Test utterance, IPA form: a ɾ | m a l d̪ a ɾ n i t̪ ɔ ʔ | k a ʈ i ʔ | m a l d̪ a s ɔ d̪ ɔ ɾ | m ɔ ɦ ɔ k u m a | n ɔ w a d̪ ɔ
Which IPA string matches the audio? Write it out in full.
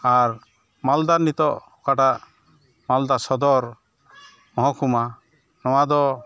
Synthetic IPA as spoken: a ɾ | m a l d̪ a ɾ n i t̪ ɔ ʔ | k a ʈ a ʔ | m a l d̪ a s ɔ d̪ ɔ ɾ | m ɔ ɦ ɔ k u m a | n ɔ w a d̪ ɔ